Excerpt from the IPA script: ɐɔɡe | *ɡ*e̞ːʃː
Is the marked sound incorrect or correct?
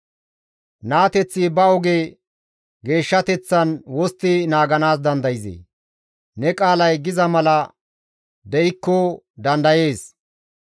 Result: correct